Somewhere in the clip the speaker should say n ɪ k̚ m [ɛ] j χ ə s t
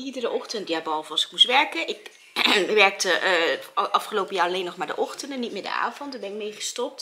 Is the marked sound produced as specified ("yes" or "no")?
no